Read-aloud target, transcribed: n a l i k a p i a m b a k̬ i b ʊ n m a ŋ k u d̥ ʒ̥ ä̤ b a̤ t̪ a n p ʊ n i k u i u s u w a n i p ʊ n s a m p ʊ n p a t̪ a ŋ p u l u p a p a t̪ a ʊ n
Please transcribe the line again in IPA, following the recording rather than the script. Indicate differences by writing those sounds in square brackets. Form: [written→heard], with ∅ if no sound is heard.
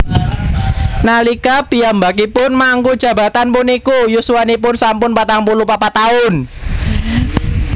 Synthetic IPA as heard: n a l i k a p i a m b a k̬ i [b→p] ʊ n m a ŋ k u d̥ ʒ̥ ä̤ b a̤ t̪ a n p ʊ n i k u [i→j] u s u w a n i p ʊ n s a m p ʊ n p a t̪ a ŋ p u l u p a p a t̪ a ʊ n